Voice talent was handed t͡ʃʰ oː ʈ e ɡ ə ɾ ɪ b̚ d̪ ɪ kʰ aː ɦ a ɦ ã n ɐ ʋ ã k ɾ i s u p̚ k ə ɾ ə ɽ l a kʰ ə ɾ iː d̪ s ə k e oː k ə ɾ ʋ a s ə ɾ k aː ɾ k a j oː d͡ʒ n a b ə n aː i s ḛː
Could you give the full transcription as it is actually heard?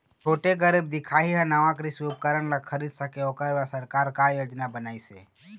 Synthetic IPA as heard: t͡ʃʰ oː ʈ e ɡ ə ɾ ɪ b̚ d̪ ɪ kʰ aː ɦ i ɦ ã n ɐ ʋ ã k ɾ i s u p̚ k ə ɾ ə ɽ l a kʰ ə ɾ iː d̪ s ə k e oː k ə ɾ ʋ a s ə ɾ k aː ɾ k a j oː d͡ʒ n a b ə n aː i s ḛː

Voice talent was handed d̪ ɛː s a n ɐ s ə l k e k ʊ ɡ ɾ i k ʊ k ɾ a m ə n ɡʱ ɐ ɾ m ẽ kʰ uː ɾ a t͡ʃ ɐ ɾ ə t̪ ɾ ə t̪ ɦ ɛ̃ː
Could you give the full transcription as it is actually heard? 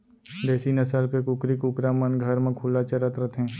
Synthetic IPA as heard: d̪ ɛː s i n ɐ s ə l k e k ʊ k ɾ i k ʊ k ɾ a m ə n ɡʱ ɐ ɾ m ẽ kʰ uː l a t͡ʃ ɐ ɾ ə t̪ ɾ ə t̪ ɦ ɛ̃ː

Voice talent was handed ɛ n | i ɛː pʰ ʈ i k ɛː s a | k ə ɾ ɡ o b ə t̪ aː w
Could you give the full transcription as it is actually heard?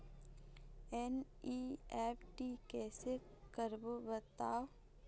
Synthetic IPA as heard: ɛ n | i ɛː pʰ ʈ i k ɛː s e | k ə ɾ b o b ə t̪ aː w

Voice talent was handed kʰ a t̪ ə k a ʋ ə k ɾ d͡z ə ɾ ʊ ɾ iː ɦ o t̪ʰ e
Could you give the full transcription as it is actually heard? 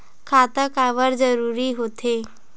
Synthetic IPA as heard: kʰ a t̪ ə k a ʋ ə ɾ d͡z ə ɾ u ɾ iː ɦ o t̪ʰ e

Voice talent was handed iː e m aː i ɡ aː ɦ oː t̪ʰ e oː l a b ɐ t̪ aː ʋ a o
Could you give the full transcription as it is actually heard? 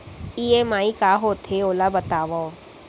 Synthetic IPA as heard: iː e m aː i k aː ɦ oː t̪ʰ e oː l a b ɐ t̪ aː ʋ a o

